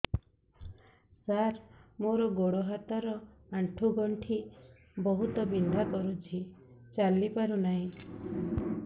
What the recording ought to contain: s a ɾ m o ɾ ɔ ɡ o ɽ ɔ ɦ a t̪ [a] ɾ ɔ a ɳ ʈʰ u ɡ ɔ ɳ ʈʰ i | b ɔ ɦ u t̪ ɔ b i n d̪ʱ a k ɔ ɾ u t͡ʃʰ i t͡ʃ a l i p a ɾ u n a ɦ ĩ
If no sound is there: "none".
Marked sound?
a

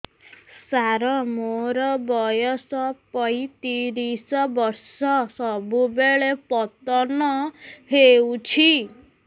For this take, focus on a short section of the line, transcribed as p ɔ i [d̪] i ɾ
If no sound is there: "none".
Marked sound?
t̪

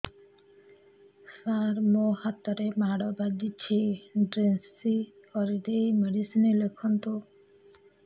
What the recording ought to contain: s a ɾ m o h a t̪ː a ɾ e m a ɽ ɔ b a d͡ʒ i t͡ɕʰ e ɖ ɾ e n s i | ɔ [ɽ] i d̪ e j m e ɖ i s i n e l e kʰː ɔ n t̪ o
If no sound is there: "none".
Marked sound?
ɾ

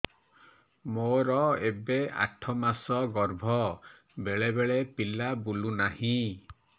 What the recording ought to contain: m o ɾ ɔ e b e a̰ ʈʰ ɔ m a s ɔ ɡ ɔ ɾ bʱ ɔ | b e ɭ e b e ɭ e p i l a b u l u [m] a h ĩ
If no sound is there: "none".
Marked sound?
n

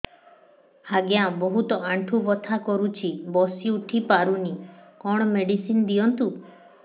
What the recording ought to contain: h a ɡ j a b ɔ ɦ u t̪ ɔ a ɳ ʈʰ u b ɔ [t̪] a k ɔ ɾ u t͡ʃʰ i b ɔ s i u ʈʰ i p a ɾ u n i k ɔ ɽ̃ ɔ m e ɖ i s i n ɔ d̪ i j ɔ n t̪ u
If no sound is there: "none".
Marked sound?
t̪ʰ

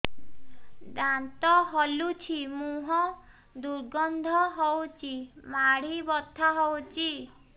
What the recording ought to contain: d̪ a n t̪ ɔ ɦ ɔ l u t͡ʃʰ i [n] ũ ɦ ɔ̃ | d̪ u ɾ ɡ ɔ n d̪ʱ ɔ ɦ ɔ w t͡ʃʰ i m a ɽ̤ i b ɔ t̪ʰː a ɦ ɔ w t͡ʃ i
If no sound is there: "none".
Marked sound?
m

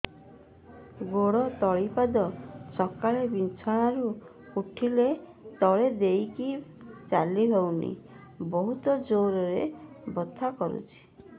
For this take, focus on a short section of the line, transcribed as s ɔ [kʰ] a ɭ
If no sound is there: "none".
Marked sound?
k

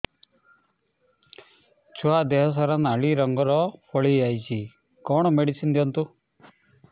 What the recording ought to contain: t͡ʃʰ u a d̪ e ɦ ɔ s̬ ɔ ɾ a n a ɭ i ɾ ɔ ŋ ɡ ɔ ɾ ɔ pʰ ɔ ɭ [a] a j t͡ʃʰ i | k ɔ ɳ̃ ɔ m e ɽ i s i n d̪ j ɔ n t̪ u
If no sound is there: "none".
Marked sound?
i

